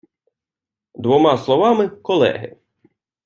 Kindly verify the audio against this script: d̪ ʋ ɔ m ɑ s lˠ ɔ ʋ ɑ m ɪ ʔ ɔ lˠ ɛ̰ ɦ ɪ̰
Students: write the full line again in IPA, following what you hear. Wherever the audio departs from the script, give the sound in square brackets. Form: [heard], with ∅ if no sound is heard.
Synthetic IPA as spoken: d̪ ʋ ɔ m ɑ s lˠ ɔ ʋ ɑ m ɪ [k] ɔ lˠ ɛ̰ ɦ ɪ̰